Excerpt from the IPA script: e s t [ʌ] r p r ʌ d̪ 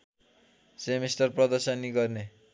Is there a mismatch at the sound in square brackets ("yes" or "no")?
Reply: no